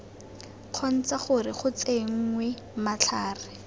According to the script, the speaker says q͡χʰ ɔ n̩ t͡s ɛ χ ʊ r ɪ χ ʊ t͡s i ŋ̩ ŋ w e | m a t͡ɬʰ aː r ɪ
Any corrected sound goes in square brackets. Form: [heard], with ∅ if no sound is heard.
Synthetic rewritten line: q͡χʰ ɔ n̩ t͡s [a] χ ʊ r ɪ χ ʊ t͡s [e] ŋ̩ ŋ w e | m a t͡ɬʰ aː r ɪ